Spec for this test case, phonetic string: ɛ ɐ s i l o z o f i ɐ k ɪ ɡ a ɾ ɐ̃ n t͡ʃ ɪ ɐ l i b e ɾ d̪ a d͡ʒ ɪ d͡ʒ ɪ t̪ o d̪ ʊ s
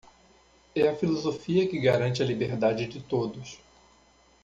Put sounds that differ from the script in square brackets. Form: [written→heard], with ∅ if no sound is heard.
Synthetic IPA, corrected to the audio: ɛ ɐ [s→f] i l o z o f i ɐ k ɪ ɡ a ɾ ɐ̃ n t͡ʃ ɪ ɐ l i b e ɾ d̪ a d͡ʒ ɪ d͡ʒ ɪ t̪ o d̪ ʊ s